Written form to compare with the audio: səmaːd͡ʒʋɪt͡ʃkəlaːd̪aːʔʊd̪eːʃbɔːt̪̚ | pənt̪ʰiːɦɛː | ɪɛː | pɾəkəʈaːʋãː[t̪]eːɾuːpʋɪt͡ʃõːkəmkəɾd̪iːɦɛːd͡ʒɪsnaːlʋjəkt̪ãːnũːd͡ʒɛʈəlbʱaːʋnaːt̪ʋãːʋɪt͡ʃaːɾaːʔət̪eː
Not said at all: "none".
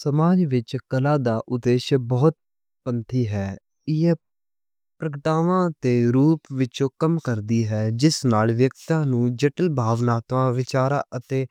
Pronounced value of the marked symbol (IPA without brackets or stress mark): t̪